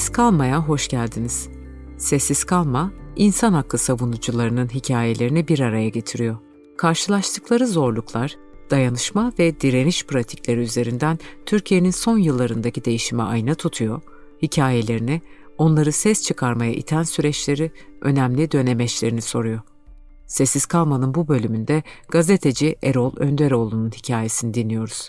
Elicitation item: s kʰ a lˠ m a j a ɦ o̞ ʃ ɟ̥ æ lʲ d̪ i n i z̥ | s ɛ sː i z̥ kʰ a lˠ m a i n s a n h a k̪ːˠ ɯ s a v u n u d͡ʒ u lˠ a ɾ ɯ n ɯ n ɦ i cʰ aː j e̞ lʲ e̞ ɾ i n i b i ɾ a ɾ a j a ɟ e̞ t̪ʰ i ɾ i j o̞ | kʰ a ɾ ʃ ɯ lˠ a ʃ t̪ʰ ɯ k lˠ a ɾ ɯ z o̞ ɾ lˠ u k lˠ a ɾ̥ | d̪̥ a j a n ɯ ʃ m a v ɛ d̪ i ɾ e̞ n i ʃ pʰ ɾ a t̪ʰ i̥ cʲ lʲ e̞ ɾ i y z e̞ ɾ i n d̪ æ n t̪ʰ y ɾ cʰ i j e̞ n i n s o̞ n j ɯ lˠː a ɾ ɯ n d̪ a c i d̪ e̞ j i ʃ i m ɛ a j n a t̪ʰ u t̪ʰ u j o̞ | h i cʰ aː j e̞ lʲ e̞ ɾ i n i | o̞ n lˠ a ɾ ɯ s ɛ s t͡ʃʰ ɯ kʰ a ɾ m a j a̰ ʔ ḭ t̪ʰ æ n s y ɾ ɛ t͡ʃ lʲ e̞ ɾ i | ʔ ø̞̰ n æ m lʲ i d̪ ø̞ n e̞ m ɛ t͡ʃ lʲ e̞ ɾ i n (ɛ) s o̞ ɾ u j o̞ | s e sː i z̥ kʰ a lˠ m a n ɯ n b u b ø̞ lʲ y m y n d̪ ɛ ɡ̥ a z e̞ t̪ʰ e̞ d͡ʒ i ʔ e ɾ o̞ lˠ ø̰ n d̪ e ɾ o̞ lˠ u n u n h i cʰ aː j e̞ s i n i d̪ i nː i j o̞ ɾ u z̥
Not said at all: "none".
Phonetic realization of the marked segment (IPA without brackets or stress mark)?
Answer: i